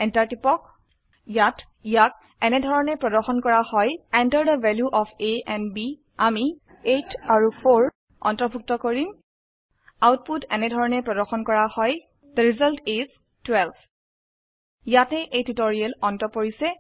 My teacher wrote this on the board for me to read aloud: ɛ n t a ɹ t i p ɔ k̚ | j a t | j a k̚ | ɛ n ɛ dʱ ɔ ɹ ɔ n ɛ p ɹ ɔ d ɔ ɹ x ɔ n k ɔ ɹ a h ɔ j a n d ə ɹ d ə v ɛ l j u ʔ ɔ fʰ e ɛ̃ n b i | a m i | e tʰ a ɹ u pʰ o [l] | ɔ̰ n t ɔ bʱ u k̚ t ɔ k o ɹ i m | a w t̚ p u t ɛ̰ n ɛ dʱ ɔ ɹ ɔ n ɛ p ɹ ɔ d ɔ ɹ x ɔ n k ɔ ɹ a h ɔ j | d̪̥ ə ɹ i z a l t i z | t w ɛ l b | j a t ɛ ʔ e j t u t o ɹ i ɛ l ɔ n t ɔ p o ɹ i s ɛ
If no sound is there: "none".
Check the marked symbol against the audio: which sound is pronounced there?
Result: ɹ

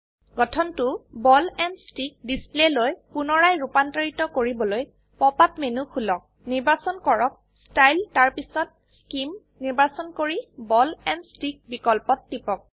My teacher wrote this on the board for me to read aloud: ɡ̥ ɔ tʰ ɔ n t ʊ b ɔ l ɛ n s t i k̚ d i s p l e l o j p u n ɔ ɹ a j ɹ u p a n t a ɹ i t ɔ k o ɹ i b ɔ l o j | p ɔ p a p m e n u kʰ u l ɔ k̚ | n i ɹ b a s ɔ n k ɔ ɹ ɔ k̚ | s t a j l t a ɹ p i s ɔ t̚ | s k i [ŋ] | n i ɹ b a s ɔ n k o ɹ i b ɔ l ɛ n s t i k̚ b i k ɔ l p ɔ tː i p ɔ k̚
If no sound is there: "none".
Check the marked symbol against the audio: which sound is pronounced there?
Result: m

